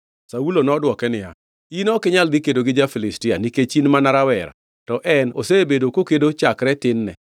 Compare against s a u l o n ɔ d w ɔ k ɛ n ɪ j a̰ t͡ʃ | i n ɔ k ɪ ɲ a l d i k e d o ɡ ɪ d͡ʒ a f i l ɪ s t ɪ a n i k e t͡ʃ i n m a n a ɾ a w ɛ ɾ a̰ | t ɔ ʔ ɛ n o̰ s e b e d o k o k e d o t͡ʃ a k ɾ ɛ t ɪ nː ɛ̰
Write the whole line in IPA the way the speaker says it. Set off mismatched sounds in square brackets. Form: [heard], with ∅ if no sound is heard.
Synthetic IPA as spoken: s a u l o n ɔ d w ɔ k ɛ n ɪ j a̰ [∅] | i n ɔ k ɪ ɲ a l d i k e d o ɡ ɪ d͡ʒ a f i l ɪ s t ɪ a n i k e t͡ʃ i n m a n a ɾ a w ɛ ɾ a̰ | t ɔ ʔ ɛ n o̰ s e b e d o k o k e d o t͡ʃ a k ɾ ɛ t ɪ nː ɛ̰